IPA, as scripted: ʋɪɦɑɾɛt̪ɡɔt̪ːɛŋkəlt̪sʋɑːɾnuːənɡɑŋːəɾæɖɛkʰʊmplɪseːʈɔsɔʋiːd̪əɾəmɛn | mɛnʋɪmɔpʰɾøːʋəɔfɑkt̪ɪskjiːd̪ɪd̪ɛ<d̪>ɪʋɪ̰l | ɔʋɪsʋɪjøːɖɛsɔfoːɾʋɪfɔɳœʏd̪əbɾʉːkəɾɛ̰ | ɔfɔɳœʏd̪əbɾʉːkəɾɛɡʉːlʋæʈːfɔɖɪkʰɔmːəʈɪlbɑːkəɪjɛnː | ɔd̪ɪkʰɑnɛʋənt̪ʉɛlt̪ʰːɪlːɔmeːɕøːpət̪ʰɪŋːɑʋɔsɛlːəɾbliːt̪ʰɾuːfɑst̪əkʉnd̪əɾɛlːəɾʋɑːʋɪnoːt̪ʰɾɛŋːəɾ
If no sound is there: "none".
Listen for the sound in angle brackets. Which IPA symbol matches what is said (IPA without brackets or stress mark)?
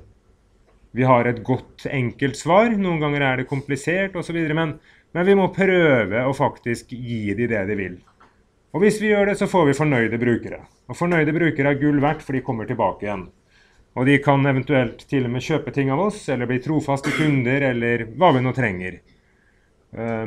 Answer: d̪